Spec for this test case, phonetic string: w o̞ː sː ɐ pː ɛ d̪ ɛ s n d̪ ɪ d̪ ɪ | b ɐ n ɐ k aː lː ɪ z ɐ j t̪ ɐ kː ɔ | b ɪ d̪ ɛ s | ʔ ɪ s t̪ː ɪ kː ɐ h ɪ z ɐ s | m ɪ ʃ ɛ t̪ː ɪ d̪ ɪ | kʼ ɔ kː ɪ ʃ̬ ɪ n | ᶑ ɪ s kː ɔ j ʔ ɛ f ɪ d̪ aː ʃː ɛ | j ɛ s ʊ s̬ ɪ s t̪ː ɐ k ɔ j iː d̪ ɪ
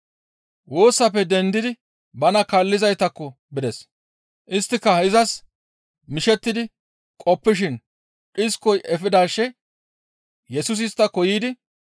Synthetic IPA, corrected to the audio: w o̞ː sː ɐ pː ɛ d̪ ɛ n d̪ ɪ d̪ ɪ | b ɐ n ɐ k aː lː ɪ z ɐ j t̪ ɐ kː ɔ | b ɪ d̪ ɛ s | ʔ ɪ s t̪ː ɪ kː ɐ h ɪ z ɐ s | m ɪ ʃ ɛ t̪ː ɪ d̪ ɪ | kʼ ɔ pː ɪ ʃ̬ ɪ n | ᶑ ɪ s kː ɔ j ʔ ɛ f ɪ d̪ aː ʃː ɛ | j ɛ s ʊ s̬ ɪ s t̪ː ɐ k ɔ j iː d̪ ɪ